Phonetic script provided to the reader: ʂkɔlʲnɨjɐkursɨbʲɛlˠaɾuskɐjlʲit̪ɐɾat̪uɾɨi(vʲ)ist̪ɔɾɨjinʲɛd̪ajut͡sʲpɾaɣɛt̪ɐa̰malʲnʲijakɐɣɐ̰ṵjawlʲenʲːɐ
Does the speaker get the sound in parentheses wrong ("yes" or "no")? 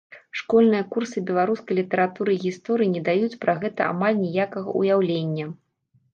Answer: yes